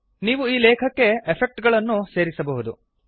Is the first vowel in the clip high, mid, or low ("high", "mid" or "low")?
high